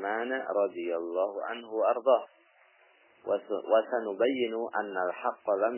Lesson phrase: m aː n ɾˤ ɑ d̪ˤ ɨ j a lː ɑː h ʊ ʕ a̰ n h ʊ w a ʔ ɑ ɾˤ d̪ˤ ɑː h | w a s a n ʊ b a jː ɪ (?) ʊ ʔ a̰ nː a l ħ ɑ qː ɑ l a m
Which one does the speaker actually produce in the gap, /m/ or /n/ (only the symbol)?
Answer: n